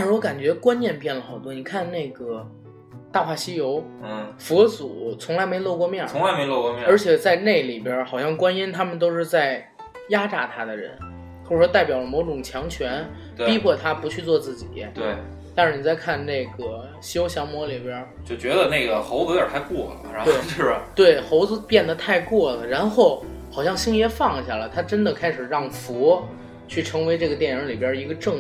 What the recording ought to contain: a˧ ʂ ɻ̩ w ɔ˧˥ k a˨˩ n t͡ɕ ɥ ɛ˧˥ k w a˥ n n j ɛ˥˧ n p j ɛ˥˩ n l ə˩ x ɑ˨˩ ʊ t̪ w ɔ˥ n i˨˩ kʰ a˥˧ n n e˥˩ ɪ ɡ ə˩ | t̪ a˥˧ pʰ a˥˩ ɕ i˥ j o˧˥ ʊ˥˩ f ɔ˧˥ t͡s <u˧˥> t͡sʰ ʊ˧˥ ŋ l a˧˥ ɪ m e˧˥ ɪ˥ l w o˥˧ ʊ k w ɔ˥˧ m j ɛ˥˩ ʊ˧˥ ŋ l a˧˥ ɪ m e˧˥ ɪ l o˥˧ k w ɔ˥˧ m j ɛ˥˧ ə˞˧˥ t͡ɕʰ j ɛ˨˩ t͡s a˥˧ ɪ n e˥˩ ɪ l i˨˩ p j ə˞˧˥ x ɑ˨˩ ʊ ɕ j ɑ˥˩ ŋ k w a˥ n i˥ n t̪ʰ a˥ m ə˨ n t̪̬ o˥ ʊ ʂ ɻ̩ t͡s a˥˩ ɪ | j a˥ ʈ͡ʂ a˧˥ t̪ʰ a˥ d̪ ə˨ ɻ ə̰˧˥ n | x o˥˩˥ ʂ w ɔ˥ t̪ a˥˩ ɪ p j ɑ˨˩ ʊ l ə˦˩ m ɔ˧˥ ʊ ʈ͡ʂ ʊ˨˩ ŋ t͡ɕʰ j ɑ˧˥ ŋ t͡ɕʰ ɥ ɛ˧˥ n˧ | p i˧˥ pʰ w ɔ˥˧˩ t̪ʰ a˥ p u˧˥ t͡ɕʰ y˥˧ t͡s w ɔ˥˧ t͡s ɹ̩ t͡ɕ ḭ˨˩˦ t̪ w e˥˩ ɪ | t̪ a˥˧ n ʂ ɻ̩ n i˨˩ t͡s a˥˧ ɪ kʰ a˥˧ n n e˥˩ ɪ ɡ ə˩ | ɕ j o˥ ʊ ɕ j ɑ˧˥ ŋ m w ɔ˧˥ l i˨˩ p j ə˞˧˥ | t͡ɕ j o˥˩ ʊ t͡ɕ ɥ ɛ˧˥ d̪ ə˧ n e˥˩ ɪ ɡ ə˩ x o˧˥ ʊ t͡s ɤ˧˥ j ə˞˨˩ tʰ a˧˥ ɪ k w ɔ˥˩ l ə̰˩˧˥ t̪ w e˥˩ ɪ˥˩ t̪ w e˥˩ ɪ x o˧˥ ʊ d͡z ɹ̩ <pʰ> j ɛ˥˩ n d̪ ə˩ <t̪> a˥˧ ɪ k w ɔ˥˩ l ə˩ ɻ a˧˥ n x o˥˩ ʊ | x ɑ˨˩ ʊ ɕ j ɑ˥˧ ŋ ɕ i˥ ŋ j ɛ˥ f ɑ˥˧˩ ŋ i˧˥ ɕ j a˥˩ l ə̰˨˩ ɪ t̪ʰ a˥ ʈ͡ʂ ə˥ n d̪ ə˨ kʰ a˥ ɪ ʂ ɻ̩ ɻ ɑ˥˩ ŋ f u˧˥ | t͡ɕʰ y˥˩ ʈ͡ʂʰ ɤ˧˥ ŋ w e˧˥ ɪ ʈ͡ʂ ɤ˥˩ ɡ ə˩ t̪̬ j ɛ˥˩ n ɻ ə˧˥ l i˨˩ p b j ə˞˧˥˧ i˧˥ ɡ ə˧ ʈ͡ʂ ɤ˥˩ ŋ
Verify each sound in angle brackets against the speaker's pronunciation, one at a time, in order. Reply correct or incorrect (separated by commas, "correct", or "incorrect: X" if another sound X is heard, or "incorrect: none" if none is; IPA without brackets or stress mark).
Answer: incorrect: u˨˩, incorrect: p, incorrect: t̪ʰ